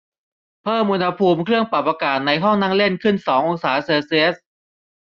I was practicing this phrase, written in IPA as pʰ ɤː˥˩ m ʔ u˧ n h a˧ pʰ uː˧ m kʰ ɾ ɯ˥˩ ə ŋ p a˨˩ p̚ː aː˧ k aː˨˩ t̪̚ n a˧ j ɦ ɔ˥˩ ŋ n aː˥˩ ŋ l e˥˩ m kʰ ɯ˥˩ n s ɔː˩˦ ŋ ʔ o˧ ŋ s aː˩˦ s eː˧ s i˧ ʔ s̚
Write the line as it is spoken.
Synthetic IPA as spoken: pʰ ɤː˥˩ m ʔ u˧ n h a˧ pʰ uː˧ m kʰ ɾ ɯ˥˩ ə ŋ p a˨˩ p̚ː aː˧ k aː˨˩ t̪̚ n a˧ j ɦ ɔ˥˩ ŋ n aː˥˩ ŋ l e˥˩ n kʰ ɯ˥˩ n s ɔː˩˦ ŋ ʔ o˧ ŋ s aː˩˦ s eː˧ s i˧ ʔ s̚

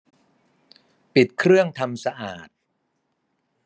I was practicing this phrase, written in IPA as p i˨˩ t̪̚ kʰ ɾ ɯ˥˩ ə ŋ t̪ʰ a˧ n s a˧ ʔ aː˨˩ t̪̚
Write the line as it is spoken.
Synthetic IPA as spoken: p i˨˩ t̪̚ kʰ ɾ ɯ˥˩ ə ŋ t̪ʰ a˧ m s a˧ ʔ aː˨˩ t̪̚

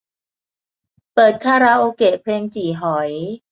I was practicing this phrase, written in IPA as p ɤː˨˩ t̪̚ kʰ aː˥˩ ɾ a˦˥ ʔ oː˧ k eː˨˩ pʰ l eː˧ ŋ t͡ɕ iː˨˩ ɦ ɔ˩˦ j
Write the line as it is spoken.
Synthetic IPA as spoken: p ɤː˨˩ t̪̚ kʰ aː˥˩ ɾ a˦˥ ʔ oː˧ k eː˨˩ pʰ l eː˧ ŋ t͡ɕ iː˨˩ ɦ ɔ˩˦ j

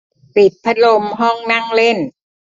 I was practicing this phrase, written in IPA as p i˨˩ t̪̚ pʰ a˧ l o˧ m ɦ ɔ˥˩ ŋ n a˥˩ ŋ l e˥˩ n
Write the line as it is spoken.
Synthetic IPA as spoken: p i˨˩ t̪̚ pʰ a˦˥ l o˧ m ɦ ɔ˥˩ ŋ n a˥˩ ŋ l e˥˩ n

